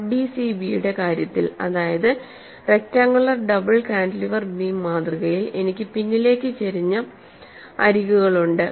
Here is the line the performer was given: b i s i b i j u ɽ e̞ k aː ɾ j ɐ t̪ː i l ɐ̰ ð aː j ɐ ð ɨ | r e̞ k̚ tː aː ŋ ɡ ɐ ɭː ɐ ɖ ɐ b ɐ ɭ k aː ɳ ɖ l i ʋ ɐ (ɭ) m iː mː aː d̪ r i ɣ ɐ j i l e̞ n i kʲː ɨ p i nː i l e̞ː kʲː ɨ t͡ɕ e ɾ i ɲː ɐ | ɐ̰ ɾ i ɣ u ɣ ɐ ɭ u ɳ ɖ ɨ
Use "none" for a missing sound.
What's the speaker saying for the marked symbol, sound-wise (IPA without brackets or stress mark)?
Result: r